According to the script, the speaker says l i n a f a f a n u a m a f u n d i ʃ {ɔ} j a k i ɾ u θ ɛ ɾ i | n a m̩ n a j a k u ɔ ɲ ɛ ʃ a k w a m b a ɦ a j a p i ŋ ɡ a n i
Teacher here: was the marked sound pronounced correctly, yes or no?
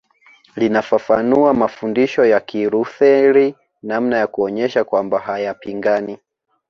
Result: yes